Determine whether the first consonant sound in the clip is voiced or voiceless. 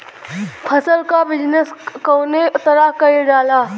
voiceless